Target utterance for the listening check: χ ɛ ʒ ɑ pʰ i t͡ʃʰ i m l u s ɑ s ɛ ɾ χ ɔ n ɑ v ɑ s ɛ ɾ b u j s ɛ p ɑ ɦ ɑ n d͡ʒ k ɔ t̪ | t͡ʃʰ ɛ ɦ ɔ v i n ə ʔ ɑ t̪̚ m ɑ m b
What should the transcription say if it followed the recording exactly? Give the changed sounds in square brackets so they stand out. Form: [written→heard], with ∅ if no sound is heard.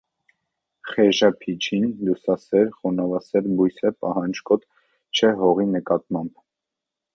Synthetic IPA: χ ɛ ʒ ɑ pʰ i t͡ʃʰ i [m→n] l u s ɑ s ɛ ɾ χ ɔ n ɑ v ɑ s ɛ ɾ b u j s ɛ p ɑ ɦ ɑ n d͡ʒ k ɔ t̪ | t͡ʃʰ ɛ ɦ ɔ [v→ʁ] i n ə [ʔ→k] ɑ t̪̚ m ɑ m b